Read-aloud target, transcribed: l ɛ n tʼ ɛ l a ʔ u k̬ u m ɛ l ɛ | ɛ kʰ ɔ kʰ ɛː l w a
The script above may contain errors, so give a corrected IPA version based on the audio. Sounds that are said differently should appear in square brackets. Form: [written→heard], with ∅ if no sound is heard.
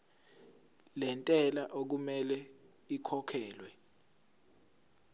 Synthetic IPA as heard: l ɛ n tʼ ɛ l a ʔ [u→o] k̬ u m ɛ l ɛ | [ɛ→i] kʰ ɔ kʰ ɛː l w [a→ɛ]